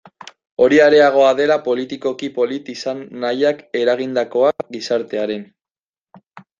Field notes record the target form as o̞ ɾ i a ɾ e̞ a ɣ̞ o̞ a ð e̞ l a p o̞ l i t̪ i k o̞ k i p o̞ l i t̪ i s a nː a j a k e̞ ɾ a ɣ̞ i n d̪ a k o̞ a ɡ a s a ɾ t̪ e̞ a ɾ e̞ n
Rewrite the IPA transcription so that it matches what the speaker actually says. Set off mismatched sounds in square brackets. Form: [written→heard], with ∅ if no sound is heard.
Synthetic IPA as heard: o̞ ɾ i a ɾ e̞ a ɣ̞ o̞ a ð e̞ l a p o̞ l i t̪ i k o̞ k i p o̞ l i t̪ i s a nː a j a k e̞ ɾ a ɣ̞ i n d̪ a k o̞ a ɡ [a→i] s a ɾ t̪ e̞ a ɾ e̞ n